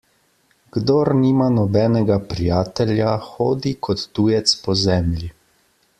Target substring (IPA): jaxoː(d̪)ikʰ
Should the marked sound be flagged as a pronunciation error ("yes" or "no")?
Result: no